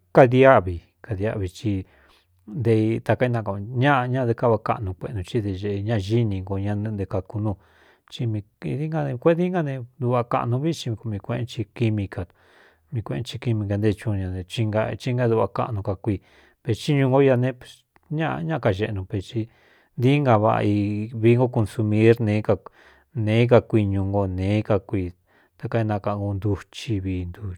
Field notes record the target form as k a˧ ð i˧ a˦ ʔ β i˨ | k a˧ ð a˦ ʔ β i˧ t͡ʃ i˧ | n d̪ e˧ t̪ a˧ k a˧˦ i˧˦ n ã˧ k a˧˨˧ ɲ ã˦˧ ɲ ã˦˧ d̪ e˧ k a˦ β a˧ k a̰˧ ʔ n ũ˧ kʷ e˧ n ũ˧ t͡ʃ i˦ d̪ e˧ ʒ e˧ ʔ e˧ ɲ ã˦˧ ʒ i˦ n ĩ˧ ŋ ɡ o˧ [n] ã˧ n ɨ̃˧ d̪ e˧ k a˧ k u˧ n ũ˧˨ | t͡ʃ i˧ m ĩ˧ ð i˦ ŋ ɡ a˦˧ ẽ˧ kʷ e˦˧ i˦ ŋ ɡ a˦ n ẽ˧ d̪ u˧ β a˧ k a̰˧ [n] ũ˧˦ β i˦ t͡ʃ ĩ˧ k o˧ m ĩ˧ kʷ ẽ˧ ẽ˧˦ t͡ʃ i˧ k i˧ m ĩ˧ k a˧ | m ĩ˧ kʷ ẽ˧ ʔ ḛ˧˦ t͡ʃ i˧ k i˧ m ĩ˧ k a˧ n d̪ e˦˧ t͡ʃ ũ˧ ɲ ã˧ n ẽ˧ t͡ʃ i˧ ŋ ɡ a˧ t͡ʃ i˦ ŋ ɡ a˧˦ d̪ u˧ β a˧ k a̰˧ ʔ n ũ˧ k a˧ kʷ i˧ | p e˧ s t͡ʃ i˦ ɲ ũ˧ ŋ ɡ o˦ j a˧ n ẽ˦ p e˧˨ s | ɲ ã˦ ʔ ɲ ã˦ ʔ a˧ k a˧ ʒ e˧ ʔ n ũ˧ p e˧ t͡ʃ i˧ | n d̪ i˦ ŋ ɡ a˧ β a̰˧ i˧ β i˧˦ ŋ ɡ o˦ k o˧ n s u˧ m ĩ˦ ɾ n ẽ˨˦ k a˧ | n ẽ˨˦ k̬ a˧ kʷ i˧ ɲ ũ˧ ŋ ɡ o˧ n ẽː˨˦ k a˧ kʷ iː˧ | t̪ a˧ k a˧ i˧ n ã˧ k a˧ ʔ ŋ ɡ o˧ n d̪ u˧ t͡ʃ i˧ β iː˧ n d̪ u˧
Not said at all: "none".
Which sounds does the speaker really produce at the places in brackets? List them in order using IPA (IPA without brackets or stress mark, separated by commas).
ɲ, n